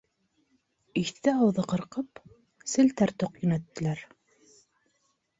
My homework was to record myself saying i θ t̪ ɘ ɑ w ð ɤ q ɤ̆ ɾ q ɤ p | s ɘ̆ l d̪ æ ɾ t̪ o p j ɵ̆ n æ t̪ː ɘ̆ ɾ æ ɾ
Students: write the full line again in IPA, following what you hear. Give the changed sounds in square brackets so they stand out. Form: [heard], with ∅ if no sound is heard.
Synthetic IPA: i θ t̪ ɘ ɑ w ð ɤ q ɤ̆ ɾ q ɤ p | s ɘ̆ l [t̪] æ ɾ t̪ o [q] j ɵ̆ n æ t̪ː ɘ̆ [l] æ ɾ